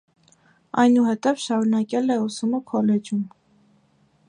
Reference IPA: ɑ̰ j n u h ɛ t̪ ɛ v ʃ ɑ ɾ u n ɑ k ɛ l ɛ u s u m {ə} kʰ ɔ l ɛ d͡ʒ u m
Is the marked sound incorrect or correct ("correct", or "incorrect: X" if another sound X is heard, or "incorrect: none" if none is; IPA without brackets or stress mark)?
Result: correct